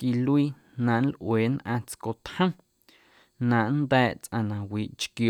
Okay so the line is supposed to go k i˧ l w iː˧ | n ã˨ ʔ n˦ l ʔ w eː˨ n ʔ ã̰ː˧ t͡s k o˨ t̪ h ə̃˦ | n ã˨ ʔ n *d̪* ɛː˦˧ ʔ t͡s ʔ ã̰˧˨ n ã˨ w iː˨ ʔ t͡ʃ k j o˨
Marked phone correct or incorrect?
correct